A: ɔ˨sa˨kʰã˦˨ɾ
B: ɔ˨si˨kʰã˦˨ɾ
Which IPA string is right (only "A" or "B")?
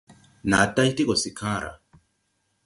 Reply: B